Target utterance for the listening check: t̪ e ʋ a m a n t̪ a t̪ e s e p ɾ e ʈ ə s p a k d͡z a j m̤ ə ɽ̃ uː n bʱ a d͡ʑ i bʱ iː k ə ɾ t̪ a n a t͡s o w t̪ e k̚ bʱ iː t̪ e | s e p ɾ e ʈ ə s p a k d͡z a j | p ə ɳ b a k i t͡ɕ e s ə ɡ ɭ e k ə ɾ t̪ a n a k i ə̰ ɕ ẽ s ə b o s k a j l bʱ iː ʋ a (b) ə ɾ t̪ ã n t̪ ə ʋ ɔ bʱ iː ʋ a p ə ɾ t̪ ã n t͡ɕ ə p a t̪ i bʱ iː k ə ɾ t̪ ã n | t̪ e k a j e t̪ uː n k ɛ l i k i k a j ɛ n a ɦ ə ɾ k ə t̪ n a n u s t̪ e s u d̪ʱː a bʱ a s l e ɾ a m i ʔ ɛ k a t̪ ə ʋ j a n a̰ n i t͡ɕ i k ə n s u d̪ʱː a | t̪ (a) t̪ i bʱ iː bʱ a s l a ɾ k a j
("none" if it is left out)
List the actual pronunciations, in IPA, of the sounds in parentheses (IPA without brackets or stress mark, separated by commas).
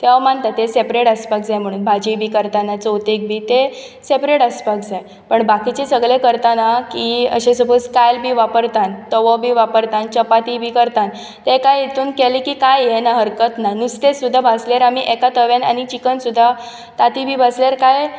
p, a